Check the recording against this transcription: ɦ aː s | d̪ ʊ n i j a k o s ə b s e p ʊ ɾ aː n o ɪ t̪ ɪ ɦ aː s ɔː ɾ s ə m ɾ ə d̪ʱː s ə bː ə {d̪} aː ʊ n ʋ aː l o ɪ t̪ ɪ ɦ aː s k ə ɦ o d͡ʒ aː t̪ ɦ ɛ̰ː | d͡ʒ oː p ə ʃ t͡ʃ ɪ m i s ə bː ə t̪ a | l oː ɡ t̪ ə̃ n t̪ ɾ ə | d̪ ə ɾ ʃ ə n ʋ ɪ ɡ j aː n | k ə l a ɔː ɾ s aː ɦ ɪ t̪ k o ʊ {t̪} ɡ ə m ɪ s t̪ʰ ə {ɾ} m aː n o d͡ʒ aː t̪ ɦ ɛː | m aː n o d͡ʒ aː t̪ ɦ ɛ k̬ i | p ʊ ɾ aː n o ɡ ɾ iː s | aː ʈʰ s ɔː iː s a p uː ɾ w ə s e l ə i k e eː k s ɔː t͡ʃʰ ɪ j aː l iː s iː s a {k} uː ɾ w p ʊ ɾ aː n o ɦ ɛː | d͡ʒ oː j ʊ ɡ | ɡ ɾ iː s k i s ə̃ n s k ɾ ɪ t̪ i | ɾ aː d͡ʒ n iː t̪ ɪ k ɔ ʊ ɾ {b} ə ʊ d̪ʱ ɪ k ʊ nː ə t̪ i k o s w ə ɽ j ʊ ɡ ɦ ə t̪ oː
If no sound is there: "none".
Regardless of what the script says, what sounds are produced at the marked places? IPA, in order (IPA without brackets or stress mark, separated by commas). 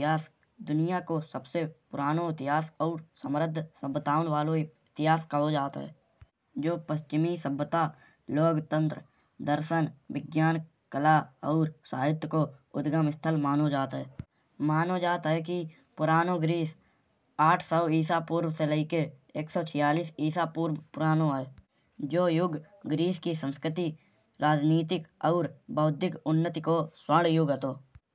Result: t̪, d̪, l, p, b